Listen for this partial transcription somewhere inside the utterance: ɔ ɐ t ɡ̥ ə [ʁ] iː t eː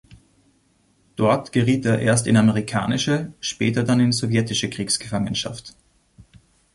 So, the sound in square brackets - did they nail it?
yes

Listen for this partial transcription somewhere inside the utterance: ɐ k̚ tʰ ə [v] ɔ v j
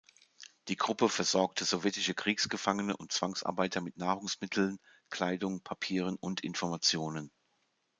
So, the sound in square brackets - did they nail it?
no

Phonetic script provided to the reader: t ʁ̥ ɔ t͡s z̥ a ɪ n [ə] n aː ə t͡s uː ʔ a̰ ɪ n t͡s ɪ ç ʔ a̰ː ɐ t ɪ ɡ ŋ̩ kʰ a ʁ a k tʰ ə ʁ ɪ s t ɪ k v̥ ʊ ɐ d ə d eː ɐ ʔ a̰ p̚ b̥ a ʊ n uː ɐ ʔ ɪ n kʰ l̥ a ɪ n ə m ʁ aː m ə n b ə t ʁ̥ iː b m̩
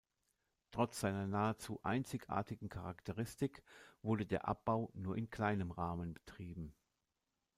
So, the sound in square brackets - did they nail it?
no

